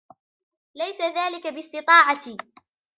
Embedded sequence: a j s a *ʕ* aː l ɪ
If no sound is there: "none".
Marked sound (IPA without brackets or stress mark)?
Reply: ð